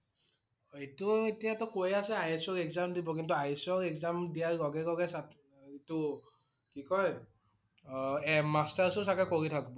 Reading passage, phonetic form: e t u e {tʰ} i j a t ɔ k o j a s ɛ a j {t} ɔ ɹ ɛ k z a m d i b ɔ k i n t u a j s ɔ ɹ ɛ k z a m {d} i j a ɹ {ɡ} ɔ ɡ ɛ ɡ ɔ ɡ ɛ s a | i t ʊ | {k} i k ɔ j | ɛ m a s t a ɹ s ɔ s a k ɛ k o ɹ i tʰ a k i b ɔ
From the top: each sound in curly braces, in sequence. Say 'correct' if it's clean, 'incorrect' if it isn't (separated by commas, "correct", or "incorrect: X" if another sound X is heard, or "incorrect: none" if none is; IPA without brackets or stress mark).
incorrect: t, incorrect: s, correct, correct, correct